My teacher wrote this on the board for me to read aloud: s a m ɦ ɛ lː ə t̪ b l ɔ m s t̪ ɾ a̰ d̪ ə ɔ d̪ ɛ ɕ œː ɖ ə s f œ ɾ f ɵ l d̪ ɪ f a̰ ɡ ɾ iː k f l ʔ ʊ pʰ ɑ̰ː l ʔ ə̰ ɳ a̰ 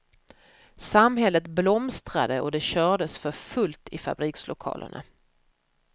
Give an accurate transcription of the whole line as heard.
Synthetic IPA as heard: s a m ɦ ɛ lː ə t̪ b l ɔ m s t̪ ɾ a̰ d̪ ə ɔ d̪ ɛ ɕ œː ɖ ə s f œ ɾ f ɵ l t̪ ɪ f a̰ b ɾ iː k s l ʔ ʊ kʰ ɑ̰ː l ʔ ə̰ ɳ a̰